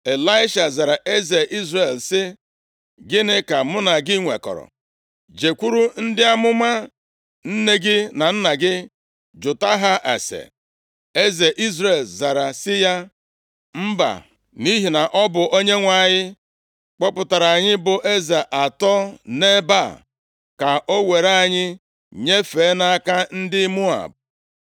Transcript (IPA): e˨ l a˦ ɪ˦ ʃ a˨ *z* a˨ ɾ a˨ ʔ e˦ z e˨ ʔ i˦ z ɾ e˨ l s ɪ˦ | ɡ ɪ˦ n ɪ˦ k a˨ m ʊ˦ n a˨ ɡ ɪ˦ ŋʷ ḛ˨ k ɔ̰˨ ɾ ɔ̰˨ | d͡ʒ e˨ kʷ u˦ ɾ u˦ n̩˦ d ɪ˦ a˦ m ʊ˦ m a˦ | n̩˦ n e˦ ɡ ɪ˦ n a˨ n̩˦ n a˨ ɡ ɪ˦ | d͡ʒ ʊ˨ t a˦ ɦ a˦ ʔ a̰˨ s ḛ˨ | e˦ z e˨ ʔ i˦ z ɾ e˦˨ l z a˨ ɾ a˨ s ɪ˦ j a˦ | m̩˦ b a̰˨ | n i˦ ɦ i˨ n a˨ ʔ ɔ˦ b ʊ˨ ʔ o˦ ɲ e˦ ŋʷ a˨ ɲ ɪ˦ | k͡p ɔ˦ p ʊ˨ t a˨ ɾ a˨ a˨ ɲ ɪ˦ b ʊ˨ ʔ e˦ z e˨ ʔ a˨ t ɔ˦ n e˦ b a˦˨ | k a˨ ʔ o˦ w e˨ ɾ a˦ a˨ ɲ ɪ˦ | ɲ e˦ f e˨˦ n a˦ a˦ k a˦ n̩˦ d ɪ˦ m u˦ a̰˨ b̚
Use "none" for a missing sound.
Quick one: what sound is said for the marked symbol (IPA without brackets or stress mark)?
z